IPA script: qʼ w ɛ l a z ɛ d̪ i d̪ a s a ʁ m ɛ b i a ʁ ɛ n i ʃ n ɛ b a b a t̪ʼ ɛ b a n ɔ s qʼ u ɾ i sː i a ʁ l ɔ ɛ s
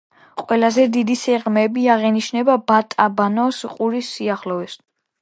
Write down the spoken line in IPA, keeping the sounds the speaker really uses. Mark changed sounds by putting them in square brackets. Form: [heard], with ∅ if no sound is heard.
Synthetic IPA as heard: qʼ w ɛ l a z ɛ d̪ i d̪ [i] s [ɛ] ʁ m ɛ b i a ʁ ɛ n i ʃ n ɛ b a b a t̪ʼ [a] b a n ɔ s qʼ u ɾ i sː i a [χ] l ɔ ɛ s